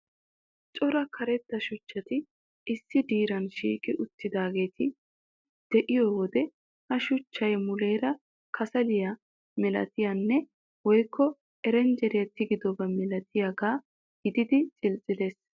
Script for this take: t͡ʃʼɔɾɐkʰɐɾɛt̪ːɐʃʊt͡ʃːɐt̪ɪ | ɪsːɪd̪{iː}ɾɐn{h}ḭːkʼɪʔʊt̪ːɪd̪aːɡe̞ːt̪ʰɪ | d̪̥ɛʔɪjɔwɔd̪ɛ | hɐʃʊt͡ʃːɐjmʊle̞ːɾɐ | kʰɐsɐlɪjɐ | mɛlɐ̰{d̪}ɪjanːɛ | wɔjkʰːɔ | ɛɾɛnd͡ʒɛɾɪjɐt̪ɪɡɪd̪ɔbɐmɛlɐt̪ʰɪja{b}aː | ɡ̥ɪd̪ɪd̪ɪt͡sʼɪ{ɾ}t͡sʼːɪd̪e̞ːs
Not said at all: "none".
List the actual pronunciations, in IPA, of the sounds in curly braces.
iː, ʃ, t̪, ɡ, l

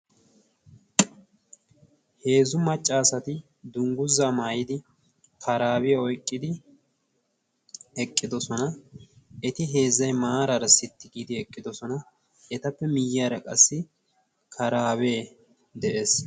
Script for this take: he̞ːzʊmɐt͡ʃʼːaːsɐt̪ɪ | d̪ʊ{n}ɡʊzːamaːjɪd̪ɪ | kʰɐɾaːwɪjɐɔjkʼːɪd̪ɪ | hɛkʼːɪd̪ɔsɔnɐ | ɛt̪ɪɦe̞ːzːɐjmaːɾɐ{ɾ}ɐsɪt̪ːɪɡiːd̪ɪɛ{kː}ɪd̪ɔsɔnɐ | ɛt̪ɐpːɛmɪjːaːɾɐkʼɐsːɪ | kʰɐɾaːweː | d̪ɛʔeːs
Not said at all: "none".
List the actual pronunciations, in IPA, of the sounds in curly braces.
ŋ, ɾ, kʼː

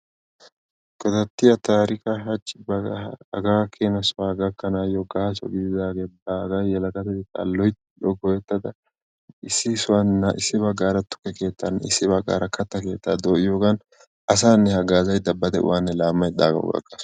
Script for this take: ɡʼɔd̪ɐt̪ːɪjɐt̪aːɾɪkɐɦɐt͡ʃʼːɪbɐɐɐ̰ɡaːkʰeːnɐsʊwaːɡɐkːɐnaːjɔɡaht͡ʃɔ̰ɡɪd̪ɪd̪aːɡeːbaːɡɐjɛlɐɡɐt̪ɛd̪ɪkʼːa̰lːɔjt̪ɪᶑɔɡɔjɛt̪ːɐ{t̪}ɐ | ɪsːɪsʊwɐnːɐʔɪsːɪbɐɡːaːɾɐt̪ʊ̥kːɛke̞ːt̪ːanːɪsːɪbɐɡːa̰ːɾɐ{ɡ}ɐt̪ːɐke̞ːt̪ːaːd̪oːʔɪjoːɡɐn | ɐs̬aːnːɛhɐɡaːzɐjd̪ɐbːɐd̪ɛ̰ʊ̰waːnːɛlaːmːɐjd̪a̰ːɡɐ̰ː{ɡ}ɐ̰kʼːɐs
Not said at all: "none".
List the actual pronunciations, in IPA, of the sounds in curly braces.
d̪, k, ɡ

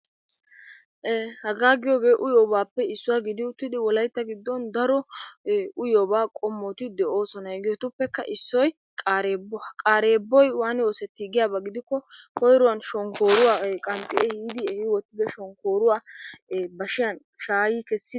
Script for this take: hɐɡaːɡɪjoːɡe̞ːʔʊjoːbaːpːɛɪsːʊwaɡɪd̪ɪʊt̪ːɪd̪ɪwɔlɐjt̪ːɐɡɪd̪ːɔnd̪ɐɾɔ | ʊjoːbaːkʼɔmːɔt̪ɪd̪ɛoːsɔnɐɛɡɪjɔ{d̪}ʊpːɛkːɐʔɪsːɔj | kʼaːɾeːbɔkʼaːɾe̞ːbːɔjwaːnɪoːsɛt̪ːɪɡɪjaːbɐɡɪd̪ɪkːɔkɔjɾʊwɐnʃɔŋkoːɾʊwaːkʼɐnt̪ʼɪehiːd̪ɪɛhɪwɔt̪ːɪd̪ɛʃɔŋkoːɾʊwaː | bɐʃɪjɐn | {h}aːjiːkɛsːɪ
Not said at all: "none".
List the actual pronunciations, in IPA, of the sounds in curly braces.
t̪, ʃ

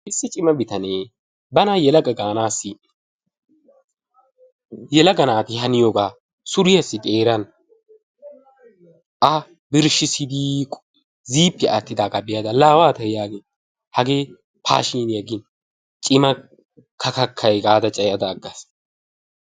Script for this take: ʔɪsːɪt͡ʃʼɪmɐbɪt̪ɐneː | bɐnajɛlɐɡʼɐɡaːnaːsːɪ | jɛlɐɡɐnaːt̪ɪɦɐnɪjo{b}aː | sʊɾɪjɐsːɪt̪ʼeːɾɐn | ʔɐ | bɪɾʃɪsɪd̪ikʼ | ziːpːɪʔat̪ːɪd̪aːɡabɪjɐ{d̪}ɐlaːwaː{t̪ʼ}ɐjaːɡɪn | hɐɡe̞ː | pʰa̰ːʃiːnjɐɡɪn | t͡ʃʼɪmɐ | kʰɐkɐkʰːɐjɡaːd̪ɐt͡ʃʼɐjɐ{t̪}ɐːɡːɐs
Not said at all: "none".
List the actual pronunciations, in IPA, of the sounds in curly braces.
ɡ, d̪, t̪, d̪

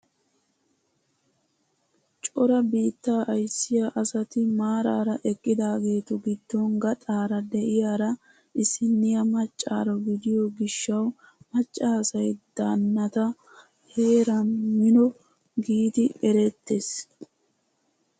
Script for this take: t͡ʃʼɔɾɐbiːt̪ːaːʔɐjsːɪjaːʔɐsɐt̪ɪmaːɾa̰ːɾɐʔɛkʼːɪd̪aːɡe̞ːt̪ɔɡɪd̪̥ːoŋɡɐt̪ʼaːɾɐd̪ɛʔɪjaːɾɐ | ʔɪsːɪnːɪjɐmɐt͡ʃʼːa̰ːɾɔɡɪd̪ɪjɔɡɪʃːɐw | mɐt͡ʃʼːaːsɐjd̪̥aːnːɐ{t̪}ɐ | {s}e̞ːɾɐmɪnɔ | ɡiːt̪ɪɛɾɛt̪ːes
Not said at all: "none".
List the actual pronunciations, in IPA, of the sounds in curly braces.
t̪, h

